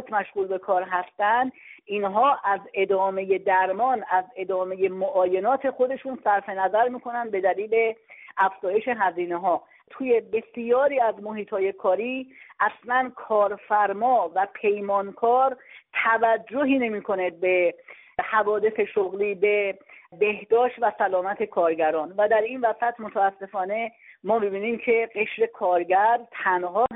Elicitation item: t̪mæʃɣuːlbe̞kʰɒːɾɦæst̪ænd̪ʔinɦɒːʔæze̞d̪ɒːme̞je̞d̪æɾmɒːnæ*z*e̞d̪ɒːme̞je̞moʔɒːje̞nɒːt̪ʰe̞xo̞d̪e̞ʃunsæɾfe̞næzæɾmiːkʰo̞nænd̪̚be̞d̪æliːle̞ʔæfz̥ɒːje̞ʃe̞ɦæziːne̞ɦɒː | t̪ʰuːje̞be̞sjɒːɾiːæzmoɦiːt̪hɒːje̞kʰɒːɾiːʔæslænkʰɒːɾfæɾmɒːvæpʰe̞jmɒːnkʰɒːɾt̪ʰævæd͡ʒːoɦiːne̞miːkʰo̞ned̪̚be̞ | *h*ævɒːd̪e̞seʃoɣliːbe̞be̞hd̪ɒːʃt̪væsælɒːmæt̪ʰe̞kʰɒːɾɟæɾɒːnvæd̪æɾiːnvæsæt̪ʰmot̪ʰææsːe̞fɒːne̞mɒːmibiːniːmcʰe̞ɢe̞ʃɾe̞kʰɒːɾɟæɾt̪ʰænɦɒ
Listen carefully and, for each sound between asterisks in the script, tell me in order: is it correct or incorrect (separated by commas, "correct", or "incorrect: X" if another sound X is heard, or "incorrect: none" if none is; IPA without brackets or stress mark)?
correct, correct